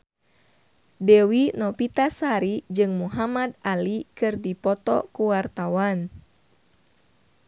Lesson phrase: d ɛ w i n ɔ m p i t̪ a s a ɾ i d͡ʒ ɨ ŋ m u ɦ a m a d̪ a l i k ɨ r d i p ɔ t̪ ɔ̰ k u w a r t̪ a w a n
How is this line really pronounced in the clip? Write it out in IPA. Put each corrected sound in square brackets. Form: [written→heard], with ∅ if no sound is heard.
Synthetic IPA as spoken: d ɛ w i n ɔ [m→∅] p i t̪ a s a ɾ i d͡ʒ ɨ ŋ m u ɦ a m a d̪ a l i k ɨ r d i p ɔ t̪ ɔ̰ k u w a r t̪ a w a n